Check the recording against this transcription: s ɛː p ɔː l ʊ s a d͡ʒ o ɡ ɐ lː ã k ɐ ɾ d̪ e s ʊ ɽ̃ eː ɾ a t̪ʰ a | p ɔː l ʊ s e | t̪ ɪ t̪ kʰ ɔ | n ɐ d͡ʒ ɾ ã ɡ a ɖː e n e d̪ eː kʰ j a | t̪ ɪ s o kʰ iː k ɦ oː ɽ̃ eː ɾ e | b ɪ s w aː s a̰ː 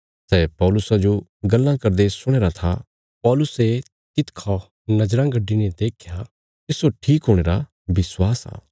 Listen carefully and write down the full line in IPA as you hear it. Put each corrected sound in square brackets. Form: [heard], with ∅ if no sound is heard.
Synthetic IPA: s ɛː p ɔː l ʊ s a d͡ʒ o ɡ ɐ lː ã k ɐ ɾ d̪ e s ʊ ɽ̃ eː ɾ a t̪ʰ a | p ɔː l ʊ s e | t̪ ɪ t̪ kʰ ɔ | n ɐ d͡ʒ ɾ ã ɡ [ɐ] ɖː [i] n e d̪ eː kʰ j a | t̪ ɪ s o [ʈʰ] iː k ɦ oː ɽ̃ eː ɾ [a] | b ɪ s w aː s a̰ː

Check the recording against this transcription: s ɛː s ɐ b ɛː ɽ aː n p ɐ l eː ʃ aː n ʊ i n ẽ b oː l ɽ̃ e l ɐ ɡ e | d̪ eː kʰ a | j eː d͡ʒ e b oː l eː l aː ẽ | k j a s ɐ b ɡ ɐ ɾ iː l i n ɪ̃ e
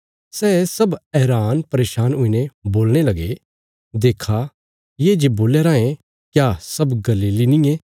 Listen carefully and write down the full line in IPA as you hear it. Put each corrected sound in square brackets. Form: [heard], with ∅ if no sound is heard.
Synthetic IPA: s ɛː s ɐ b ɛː [ɾ] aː n p ɐ [ɾ] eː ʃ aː n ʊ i n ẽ b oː l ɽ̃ e l ɐ ɡ e | d̪ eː kʰ a | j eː d͡ʒ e b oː l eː [ɾ] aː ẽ | k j a s ɐ b ɡ ɐ [l] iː l i n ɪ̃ e

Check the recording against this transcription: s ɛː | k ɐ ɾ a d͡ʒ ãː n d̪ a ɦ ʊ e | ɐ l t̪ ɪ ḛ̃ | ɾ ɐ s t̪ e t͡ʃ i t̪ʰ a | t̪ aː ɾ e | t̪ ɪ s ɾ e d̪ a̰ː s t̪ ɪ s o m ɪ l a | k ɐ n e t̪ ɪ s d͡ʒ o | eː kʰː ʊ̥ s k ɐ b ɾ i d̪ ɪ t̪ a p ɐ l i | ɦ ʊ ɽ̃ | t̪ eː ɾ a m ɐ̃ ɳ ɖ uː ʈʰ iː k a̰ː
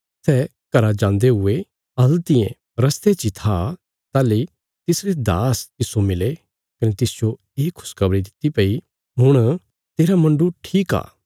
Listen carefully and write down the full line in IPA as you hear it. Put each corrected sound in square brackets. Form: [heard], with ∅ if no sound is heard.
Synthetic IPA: s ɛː | k ɐ ɾ a d͡ʒ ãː n d̪ [e] ɦ ʊ e | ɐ l t̪ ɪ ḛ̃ | ɾ ɐ s t̪ e t͡ʃ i t̪ʰ a | t̪ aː [l] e | t̪ ɪ s ɾ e d̪ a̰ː s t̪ ɪ s o m ɪ l [e] | k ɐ n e t̪ ɪ s d͡ʒ o | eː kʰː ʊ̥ s k ɐ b ɾ i d̪ ɪ t̪ [i] p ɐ [∅] i | ɦ ʊ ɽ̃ | t̪ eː ɾ a m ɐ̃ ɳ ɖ [u] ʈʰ iː k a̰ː

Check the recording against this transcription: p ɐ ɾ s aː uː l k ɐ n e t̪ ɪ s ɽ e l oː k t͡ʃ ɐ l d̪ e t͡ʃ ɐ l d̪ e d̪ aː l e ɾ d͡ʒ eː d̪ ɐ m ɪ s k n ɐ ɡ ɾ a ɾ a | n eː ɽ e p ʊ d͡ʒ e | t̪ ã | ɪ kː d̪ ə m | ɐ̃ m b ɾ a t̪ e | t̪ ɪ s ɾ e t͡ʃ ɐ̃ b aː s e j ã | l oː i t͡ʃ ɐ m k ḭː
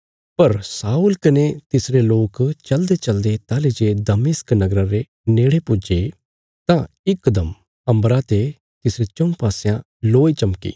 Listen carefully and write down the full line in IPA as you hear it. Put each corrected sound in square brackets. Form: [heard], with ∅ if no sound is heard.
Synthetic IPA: p ɐ ɾ s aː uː l k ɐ n e t̪ ɪ s [ɾ] e l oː k t͡ʃ ɐ l d̪ e t͡ʃ ɐ l d̪ e [t̪] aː l e [∅] d͡ʒ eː d̪ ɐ m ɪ s k n ɐ ɡ ɾ a ɾ [e] | n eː ɽ e p ʊ d͡ʒ e | t̪ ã | ɪ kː d̪ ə m | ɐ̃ m b ɾ a t̪ e | t̪ ɪ s ɾ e t͡ʃ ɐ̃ [p] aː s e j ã | l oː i t͡ʃ ɐ m k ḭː

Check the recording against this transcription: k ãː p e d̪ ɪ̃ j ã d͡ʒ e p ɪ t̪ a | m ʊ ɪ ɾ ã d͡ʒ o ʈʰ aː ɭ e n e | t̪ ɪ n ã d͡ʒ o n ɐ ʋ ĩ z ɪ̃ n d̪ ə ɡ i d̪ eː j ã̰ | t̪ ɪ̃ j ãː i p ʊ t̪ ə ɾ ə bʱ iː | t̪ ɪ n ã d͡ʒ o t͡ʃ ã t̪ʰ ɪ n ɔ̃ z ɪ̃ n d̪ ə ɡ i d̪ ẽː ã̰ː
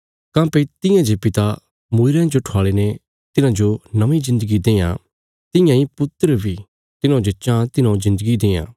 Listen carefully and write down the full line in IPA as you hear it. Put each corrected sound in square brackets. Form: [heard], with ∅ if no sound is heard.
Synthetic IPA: k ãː p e [t̪] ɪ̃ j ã d͡ʒ e p ɪ t̪ a | m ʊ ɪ ɾ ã d͡ʒ o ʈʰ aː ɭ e n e | t̪ ɪ n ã d͡ʒ o n ɐ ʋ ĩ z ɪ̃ n d̪ ə ɡ i d̪ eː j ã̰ | t̪ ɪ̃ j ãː i p ʊ t̪ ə ɾ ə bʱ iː | t̪ ɪ n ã d͡ʒ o t͡ʃ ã [t̪] ɪ n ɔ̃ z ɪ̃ n d̪ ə ɡ i d̪ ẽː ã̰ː

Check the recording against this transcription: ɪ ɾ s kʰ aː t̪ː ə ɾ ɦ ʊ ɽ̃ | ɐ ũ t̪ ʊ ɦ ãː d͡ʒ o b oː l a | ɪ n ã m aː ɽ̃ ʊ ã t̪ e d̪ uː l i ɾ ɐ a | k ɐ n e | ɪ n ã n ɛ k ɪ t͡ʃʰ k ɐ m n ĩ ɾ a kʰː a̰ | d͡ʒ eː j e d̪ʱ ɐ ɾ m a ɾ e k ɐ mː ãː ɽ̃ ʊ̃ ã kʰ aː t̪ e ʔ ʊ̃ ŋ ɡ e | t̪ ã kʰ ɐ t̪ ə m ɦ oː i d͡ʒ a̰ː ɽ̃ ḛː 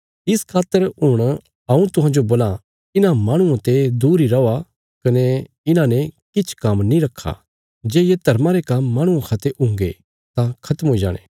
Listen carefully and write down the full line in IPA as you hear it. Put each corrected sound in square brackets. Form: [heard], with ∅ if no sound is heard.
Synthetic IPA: ɪ [∅] s kʰ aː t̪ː ə ɾ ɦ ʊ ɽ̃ | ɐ ũ t̪ ʊ ɦ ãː d͡ʒ o b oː l a | ɪ n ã m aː ɽ̃ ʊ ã t̪ e d̪ uː [ɾ] i ɾ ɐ a | k ɐ n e | ɪ n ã n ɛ k ɪ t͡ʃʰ k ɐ m n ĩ ɾ [ɐ] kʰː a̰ | d͡ʒ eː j e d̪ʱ ɐ ɾ m a ɾ e k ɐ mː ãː ɽ̃ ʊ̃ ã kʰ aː t̪ e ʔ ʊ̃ ŋ ɡ e | t̪ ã kʰ ɐ t̪ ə m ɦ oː i d͡ʒ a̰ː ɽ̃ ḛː

